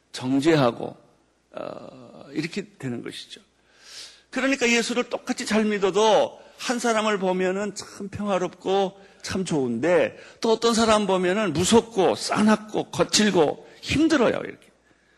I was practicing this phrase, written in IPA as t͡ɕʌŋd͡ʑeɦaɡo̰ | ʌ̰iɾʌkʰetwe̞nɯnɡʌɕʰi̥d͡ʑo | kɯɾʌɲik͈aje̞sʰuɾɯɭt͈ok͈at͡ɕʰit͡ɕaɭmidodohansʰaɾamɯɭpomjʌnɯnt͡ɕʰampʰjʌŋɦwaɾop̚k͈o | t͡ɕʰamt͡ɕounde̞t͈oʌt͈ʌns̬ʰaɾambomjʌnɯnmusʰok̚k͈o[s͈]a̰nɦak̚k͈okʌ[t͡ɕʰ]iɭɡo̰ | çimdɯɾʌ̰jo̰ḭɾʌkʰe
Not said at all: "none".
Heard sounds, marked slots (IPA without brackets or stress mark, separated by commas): s͈, t͡ɕʰ